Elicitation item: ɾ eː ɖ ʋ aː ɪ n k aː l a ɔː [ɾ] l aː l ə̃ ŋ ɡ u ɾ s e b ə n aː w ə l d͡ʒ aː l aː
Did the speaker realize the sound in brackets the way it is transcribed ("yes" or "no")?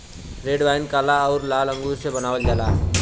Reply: yes